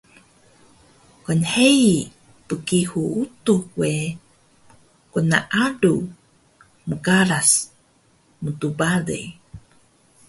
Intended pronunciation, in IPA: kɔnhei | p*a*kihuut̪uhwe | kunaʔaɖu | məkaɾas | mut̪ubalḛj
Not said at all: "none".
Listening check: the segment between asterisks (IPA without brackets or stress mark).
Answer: ə